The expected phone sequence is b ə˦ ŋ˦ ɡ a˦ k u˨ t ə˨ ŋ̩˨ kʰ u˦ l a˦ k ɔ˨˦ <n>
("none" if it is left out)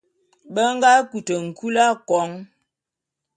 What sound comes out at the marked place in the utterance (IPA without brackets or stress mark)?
ŋ